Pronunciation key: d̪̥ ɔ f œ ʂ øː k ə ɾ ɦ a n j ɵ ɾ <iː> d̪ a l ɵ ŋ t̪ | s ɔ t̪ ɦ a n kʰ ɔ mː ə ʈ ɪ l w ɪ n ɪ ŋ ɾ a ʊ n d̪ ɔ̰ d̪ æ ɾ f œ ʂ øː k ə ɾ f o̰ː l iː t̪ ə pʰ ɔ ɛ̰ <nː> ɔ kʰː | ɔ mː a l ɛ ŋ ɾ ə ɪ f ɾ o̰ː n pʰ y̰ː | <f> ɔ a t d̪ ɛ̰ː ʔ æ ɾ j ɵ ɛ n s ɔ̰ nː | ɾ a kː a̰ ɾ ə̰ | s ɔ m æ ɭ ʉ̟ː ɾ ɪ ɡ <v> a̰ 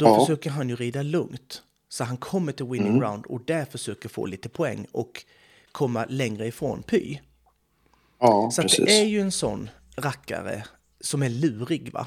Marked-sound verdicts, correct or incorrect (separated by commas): correct, incorrect, incorrect, correct